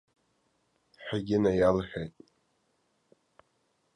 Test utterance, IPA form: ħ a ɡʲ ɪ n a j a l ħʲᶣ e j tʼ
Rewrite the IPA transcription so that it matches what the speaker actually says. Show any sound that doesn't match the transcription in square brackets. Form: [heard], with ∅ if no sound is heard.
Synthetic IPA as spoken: ħ a ɡʲ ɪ n a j a l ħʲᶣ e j tʼ